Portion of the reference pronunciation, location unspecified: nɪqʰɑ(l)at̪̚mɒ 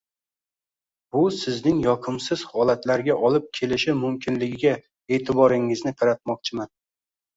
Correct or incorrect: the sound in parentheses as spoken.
incorrect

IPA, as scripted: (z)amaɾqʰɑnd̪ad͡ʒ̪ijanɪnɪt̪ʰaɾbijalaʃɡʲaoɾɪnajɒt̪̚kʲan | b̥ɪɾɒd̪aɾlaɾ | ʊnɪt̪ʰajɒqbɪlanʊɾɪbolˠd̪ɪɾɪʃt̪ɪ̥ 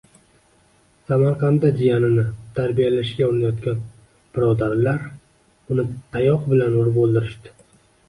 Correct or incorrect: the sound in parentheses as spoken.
incorrect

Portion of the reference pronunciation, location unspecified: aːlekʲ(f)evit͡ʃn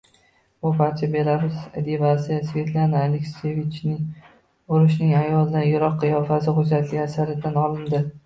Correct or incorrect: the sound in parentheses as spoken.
incorrect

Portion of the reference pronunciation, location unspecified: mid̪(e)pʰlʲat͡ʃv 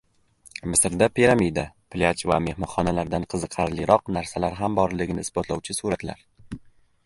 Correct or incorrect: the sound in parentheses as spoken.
incorrect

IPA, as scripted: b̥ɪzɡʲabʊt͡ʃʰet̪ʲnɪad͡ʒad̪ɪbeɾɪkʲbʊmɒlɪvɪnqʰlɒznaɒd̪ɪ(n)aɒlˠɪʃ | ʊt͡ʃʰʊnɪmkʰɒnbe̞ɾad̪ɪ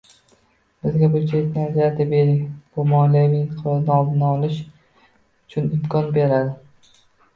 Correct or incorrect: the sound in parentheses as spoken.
correct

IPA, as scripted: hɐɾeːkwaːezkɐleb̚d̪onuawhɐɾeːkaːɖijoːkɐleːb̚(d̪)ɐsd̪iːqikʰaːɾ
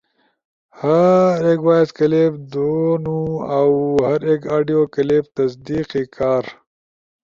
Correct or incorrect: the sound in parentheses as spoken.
incorrect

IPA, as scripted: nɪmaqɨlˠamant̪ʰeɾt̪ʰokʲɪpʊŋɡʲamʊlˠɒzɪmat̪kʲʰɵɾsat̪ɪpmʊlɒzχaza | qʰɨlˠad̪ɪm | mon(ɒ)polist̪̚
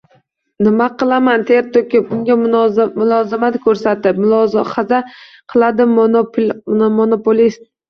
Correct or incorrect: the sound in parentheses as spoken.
incorrect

